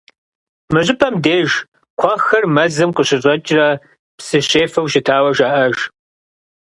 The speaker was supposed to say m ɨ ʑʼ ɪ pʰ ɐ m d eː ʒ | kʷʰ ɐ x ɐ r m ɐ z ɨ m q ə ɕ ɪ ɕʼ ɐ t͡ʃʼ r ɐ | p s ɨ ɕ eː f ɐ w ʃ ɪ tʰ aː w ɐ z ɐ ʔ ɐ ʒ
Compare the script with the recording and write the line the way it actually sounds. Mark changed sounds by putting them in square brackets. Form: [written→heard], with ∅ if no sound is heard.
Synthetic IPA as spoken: m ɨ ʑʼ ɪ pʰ ɐ m d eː ʒ | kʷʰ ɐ x ɐ r m ɐ z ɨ m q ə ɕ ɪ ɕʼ ɐ t͡ʃʼ r ɐ | p s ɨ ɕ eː f ɐ w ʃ ɪ tʰ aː w ɐ [z→ʒ] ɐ ʔ ɐ ʒ

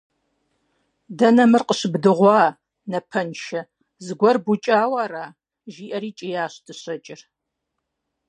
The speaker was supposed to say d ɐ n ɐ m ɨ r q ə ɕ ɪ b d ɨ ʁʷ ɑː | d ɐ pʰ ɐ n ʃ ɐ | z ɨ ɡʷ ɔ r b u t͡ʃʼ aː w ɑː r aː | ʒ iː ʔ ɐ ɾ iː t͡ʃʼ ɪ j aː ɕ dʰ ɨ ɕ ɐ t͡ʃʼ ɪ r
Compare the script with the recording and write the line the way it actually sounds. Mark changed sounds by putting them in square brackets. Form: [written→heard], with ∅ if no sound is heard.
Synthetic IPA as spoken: d ɐ n ɐ m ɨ r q ə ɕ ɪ b d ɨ ʁʷ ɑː | [d→n] ɐ pʰ ɐ n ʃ ɐ | z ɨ ɡʷ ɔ r b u t͡ʃʼ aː w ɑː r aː | ʒ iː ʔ ɐ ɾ iː t͡ʃʼ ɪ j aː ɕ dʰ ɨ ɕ ɐ t͡ʃʼ ɪ r

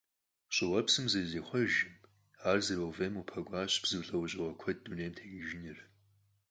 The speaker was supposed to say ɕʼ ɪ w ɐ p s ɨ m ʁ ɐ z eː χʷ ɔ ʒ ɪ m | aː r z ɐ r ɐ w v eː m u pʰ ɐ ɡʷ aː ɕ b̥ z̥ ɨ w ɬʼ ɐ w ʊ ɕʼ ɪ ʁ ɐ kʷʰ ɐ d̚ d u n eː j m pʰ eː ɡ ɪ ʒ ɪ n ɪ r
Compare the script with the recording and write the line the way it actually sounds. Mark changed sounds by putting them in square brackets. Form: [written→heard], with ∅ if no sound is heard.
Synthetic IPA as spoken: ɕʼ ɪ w ɐ p s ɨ m [ʁ→z] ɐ z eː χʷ ɔ ʒ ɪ m | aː r z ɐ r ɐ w v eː m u pʰ ɐ ɡʷ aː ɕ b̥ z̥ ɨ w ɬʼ ɐ w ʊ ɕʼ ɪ ʁ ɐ kʷʰ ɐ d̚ d u n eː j m [pʰ→tʰ] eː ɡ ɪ ʒ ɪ n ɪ r

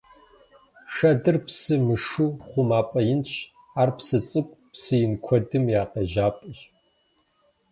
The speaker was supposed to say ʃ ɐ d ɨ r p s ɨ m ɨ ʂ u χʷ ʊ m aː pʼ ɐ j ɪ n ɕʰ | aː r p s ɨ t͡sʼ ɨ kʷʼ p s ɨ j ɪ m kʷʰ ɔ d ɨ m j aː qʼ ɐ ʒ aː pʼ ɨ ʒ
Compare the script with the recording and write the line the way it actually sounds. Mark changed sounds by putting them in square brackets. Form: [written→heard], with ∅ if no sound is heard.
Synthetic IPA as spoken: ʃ ɐ d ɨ r p s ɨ m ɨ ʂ u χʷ ʊ m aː pʼ ɐ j ɪ n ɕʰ | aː r p s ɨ t͡sʼ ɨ kʷʼ p s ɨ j ɪ [m→n] kʷʰ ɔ d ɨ m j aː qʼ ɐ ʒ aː pʼ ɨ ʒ

